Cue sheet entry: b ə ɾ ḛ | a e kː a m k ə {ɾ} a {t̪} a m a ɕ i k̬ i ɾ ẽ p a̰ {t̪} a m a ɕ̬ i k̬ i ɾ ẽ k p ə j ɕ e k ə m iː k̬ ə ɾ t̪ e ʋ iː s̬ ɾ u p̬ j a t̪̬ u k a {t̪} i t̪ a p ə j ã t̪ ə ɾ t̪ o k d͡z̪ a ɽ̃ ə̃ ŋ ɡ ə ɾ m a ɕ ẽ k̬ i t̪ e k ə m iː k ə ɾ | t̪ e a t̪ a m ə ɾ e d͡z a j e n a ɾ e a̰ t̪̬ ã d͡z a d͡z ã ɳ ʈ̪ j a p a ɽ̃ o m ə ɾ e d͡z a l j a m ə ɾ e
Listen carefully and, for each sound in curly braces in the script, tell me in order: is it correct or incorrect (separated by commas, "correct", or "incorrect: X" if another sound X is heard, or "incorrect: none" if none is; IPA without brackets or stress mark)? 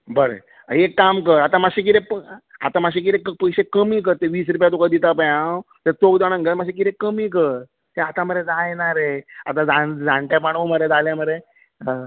correct, correct, correct, incorrect: d̪